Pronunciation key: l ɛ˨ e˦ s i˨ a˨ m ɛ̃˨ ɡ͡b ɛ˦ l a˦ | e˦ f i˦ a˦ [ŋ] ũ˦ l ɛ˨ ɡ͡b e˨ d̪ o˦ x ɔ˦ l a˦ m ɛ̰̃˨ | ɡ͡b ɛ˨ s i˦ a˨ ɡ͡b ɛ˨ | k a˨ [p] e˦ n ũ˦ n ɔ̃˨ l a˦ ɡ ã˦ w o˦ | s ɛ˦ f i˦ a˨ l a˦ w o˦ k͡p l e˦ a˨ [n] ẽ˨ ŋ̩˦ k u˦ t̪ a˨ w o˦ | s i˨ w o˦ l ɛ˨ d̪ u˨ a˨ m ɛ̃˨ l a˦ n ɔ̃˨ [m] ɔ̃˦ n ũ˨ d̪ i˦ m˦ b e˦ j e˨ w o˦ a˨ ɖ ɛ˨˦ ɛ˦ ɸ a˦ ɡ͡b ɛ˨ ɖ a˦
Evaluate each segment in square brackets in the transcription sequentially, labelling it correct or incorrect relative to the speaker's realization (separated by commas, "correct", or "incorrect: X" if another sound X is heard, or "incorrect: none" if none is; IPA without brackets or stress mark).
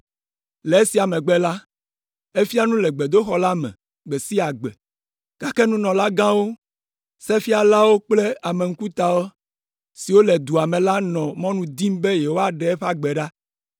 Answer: incorrect: n, incorrect: k, incorrect: m, correct